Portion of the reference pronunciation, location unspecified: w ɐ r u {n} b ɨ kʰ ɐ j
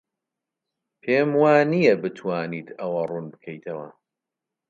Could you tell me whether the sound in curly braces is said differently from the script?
no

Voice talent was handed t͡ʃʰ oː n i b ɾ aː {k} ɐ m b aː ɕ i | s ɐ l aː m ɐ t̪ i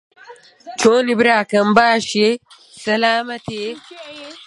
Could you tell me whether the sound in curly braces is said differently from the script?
no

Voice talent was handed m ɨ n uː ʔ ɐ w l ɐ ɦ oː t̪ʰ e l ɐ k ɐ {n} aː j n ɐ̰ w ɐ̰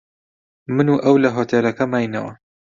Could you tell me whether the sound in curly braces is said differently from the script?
yes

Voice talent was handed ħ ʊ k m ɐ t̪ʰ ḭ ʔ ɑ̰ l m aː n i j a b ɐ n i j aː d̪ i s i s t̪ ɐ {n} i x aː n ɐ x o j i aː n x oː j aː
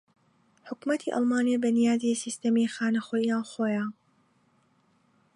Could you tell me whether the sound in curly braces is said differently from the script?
yes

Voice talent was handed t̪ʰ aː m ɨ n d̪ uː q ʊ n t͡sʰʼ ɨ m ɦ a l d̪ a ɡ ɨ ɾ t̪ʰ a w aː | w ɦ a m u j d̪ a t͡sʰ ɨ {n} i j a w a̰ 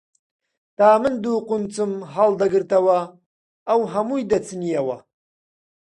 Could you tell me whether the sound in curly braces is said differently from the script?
no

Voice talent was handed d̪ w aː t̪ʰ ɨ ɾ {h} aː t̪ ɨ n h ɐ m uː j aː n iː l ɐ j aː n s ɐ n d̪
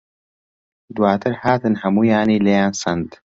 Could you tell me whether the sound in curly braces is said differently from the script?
no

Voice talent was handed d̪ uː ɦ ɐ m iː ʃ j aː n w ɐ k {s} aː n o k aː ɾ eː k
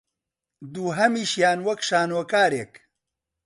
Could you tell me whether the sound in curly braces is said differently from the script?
yes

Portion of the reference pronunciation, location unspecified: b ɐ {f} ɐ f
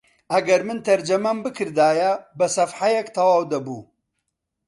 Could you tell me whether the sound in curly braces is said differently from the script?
yes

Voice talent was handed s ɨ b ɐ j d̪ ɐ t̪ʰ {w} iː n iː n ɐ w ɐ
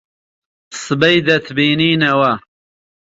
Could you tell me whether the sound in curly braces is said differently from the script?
yes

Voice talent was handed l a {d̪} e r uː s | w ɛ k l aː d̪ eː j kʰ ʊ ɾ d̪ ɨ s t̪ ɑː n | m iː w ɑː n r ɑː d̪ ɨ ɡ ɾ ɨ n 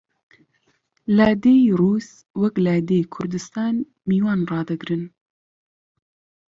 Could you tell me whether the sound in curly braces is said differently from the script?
no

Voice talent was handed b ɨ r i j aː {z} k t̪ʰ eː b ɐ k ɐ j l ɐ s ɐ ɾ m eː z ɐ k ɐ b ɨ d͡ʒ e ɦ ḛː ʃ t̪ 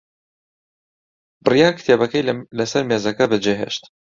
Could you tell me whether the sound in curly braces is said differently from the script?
yes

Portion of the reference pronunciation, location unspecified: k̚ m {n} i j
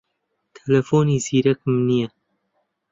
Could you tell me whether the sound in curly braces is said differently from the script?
no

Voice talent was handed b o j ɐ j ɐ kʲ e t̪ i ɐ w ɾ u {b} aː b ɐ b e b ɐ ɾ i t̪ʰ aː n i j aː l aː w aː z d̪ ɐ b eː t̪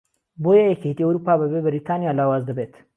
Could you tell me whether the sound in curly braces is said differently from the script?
yes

